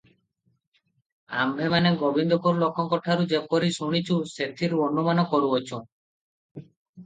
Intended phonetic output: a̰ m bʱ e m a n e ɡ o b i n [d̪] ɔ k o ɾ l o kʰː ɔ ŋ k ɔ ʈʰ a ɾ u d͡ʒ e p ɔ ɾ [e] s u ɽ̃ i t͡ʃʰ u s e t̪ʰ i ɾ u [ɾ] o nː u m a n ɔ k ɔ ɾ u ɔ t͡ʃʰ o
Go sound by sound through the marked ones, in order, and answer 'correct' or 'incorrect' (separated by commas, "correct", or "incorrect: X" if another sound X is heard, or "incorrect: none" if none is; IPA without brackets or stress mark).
correct, incorrect: i, incorrect: none